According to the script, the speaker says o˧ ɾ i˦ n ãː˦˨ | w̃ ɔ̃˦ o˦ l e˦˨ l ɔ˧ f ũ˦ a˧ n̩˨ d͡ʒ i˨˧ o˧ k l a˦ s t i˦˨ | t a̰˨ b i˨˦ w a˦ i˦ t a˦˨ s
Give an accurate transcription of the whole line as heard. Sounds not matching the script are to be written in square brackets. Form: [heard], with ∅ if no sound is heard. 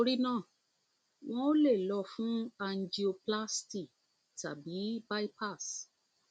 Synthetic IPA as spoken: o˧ ɾ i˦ n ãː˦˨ | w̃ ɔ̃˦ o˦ l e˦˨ l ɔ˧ f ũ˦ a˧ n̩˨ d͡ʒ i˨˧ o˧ [p] l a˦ s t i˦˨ | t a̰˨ b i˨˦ [b] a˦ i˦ [p] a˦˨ s